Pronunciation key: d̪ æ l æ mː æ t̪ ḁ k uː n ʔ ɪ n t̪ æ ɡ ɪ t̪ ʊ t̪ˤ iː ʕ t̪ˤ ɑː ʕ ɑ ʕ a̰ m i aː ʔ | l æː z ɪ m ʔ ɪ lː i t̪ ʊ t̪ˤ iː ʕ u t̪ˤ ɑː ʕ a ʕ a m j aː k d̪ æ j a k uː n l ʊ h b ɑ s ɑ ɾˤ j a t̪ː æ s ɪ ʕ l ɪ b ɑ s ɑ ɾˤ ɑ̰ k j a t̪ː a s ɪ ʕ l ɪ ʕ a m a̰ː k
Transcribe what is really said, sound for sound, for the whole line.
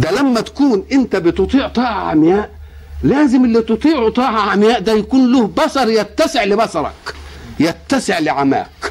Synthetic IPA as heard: d̪ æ l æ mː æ t̪ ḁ k uː n ʔ ɪ n t̪ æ b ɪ t̪ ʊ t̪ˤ iː ʕ t̪ˤ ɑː ʕ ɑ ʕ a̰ m j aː ʔ | l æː z ɪ m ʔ ɪ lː i t̪ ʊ t̪ˤ iː ʕ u t̪ˤ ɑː ʕ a ʕ a m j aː ʔ d̪ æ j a k uː n l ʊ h b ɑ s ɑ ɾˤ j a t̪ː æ s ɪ ʕ l ɪ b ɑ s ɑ ɾˤ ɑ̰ k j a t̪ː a s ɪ ʕ l ɪ ʕ a m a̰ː k